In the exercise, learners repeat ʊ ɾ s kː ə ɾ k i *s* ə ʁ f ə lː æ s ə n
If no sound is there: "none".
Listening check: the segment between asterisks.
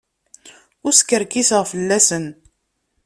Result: s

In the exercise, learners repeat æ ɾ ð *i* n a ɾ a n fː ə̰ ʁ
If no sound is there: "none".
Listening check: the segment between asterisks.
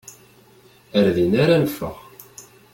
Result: i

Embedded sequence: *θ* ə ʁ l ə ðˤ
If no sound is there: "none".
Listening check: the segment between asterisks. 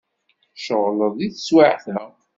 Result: ʃ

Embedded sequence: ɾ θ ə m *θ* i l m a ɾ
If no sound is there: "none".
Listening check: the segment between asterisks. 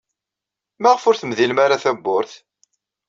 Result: ð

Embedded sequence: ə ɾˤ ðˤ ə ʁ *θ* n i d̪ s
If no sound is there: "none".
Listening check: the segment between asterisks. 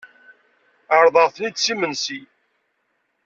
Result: θ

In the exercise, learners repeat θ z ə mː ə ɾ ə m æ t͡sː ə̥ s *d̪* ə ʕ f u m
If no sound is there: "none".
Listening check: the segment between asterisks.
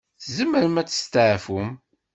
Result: t̪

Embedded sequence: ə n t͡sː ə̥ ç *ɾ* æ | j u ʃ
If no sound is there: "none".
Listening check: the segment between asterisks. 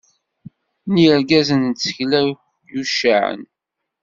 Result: l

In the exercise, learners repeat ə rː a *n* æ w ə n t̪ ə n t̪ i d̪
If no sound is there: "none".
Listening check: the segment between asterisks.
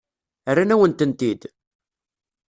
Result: n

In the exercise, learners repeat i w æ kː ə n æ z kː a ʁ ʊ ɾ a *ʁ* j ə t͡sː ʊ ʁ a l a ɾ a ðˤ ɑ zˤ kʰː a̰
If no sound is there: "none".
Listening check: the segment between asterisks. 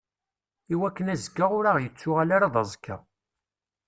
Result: ʁ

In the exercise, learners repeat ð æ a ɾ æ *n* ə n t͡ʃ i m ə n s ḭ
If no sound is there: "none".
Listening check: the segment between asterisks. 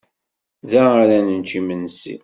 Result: n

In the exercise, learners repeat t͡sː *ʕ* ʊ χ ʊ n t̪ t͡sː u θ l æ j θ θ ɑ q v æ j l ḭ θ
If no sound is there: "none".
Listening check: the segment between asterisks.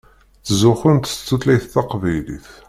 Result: z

